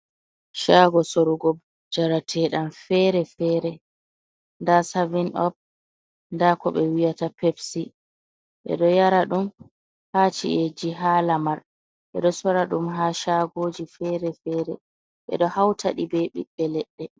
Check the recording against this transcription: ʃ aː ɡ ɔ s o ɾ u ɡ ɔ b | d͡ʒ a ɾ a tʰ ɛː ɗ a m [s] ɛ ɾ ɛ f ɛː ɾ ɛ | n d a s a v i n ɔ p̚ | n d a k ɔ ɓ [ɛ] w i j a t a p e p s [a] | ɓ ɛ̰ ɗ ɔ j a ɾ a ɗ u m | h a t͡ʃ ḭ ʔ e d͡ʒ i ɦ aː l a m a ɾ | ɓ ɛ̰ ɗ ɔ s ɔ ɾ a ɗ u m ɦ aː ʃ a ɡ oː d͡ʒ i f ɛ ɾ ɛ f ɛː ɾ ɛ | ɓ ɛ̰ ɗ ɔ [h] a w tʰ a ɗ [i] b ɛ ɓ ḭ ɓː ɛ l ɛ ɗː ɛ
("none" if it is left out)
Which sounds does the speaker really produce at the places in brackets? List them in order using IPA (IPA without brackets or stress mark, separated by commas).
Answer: f, ɛ, i, h, i